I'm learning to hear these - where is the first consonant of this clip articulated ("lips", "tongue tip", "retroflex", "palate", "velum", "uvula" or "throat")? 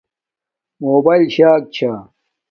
lips